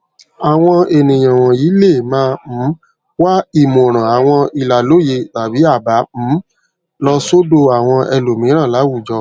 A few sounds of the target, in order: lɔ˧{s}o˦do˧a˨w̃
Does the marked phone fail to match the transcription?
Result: no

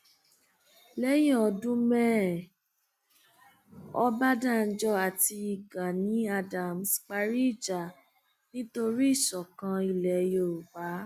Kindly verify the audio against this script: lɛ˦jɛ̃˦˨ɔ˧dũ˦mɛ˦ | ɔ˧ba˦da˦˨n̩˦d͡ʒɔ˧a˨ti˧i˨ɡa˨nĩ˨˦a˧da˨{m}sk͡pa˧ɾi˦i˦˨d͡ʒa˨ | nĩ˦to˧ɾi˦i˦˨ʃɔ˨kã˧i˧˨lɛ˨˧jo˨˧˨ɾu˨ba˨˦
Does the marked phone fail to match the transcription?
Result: no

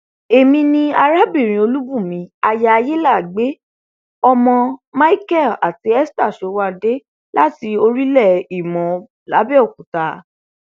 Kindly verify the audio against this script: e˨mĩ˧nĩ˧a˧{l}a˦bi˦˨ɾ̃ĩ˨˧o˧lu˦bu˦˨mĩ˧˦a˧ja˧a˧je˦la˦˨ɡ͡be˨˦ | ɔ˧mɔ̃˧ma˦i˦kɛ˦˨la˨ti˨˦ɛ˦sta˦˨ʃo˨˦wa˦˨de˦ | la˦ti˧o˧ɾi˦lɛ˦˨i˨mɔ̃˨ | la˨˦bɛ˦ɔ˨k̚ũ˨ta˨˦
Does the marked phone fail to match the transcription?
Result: yes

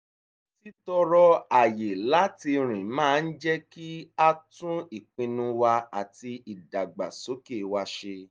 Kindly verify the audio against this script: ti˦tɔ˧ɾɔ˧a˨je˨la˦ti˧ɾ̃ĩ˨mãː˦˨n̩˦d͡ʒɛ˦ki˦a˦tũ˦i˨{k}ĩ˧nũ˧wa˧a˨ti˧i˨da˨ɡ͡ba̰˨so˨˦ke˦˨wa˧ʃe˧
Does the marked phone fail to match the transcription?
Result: yes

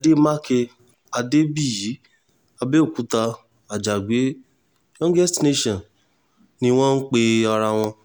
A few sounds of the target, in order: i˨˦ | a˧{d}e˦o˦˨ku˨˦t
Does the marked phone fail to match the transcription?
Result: yes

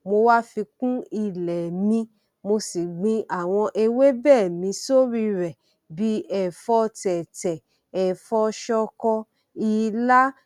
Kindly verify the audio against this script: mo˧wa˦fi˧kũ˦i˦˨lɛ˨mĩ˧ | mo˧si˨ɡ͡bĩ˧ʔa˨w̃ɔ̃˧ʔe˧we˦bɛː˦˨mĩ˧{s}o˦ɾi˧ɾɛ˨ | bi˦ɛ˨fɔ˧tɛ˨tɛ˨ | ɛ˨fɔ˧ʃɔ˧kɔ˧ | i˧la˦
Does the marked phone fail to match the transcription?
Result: no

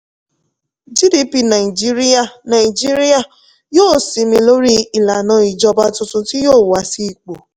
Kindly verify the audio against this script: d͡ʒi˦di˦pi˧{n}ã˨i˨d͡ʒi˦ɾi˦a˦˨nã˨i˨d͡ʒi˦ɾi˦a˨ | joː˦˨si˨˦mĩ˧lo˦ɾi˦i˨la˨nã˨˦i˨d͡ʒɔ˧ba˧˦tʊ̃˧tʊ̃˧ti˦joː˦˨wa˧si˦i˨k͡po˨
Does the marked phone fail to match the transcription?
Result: no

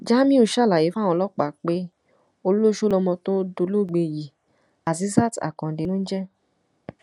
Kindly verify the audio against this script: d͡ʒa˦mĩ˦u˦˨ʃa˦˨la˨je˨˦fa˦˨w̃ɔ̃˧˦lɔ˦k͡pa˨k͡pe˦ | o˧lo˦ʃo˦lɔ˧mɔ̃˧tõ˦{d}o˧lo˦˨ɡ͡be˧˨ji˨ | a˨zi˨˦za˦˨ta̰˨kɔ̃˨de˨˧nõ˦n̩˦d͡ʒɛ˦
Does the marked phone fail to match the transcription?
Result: no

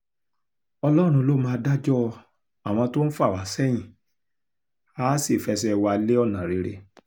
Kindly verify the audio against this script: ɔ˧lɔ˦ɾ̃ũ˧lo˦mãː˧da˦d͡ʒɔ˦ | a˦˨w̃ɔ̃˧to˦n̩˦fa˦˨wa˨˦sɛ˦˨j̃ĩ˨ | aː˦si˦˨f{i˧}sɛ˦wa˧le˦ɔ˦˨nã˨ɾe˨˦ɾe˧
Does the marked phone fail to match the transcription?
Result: yes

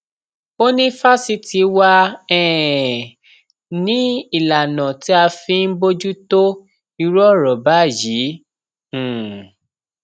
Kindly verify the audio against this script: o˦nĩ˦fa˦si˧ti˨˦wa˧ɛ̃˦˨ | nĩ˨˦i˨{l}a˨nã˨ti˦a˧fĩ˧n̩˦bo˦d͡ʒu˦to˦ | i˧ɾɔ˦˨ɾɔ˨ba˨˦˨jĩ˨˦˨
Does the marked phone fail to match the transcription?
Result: no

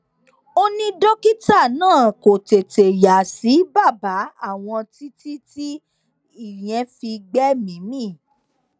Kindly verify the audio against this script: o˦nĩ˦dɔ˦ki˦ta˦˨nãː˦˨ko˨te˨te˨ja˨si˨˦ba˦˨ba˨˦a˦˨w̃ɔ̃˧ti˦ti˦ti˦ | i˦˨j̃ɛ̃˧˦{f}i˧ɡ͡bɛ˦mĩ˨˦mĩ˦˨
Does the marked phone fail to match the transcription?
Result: no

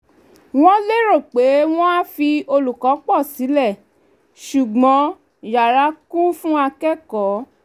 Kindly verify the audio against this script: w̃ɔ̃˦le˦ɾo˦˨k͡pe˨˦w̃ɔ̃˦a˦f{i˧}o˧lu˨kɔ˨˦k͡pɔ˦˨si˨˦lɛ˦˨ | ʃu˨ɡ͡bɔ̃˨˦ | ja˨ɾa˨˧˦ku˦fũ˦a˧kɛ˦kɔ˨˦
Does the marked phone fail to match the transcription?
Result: no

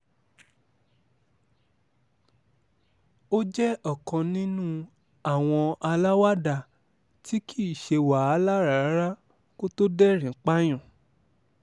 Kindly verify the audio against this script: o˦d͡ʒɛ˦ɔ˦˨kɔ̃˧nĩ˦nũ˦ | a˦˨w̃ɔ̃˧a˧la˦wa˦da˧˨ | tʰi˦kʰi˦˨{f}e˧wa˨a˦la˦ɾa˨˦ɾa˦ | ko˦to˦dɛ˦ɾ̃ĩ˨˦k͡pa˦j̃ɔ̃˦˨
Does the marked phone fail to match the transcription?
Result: yes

